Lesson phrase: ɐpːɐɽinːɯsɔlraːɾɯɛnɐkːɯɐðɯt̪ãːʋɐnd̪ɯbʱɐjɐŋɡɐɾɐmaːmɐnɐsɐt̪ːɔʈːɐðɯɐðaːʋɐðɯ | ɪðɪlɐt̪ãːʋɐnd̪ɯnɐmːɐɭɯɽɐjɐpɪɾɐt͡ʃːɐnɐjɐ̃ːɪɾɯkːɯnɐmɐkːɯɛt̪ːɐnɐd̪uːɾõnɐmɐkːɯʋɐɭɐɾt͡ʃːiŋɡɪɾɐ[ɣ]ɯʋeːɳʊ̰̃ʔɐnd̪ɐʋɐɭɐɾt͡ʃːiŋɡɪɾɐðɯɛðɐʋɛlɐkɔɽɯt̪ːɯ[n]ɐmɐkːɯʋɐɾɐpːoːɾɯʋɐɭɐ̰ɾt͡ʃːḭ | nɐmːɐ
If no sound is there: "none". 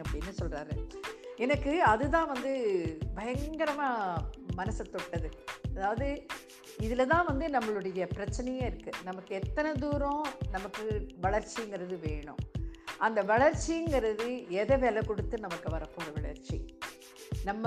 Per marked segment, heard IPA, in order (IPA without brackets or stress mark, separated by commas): ð, n